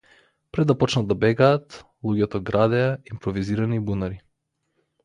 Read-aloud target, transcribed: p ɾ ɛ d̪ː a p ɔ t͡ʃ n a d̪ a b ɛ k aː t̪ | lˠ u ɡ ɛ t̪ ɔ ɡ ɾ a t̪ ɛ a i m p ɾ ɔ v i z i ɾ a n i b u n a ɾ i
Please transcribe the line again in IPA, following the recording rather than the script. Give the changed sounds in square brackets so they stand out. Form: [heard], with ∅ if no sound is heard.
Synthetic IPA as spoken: p ɾ ɛ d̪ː a p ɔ t͡ʃ n a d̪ a b ɛ [ɡ] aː t̪ | lˠ u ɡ ɛ t̪ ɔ ɡ ɾ a [d̪] ɛ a i m p ɾ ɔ v i z i ɾ a n i b u n a ɾ i